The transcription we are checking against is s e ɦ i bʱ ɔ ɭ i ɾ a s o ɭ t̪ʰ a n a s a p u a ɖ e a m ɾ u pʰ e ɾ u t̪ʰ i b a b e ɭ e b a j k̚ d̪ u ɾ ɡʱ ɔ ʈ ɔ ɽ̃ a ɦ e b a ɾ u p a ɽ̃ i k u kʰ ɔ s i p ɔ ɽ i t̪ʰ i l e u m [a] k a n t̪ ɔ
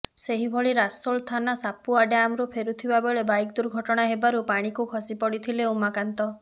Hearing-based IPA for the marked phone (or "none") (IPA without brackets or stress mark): a